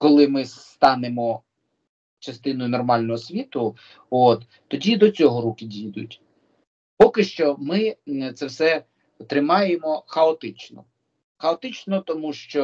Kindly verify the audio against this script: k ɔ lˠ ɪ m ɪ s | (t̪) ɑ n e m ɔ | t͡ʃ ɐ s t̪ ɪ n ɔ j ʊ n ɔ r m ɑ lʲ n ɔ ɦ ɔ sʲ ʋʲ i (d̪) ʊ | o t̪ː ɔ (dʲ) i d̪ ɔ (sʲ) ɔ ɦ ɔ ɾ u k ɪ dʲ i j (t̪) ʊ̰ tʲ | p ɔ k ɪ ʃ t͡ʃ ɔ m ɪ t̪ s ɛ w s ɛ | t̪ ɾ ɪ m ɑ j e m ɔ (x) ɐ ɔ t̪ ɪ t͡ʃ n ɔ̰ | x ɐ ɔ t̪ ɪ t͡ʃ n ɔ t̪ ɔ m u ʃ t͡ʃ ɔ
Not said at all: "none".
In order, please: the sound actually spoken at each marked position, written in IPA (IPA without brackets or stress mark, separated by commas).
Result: t̪, t̪, dʲ, t͡sʲ, d̪, x